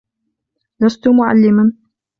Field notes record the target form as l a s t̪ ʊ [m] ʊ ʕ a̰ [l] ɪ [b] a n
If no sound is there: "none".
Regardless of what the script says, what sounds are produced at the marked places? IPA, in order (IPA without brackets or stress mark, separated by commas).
m, lː, m